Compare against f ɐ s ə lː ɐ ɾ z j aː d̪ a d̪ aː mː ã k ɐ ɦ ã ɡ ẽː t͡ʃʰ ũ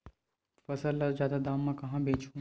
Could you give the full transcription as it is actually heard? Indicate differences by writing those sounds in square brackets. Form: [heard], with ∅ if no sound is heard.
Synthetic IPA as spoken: f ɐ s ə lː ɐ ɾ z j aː d̪ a d̪ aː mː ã k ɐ ɦ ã [b] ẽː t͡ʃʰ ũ